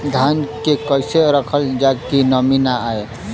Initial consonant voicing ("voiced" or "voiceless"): voiced